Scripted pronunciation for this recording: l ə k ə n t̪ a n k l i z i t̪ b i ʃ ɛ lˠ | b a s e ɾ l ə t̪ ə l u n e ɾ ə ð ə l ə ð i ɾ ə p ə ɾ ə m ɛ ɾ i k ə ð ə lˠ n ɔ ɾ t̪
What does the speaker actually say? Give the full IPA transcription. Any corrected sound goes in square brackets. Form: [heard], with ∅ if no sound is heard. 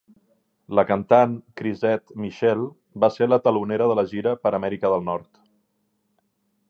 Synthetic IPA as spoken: l ə k ə n t̪ a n k [ɾ] i z [ɛ] t̪ [m] i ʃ ɛ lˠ | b a s e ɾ l ə t̪ ə l u n e ɾ ə ð ə l ə [ʒ] i ɾ ə p ə ɾ ə m ɛ ɾ i k ə ð ə lˠ n ɔ ɾ t̪